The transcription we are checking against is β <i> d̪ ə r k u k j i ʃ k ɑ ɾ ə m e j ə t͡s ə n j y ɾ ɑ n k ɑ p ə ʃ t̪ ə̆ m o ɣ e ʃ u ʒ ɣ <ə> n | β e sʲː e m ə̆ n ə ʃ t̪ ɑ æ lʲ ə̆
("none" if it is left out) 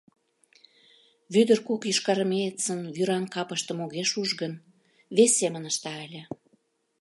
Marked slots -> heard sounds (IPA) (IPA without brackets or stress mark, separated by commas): y, ə